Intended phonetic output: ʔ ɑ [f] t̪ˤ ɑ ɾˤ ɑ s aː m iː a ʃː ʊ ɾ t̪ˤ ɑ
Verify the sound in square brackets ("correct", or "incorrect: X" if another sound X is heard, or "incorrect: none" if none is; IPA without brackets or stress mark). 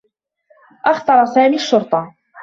incorrect: x